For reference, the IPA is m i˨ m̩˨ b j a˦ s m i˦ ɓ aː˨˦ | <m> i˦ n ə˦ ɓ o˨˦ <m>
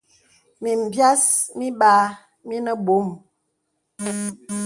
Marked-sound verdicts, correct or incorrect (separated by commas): correct, correct